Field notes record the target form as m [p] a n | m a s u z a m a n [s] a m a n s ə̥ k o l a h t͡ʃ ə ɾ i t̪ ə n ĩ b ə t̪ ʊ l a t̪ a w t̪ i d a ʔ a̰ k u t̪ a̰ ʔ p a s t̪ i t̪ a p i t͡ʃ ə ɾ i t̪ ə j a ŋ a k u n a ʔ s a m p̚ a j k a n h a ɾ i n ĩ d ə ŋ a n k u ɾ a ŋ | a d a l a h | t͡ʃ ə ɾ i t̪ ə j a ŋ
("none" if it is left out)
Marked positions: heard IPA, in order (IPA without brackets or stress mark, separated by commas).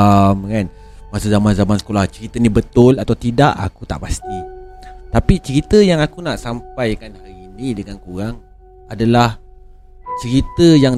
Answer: k, z